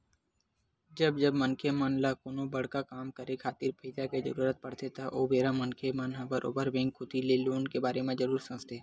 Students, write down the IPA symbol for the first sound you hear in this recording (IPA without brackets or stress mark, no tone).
d͡ʒ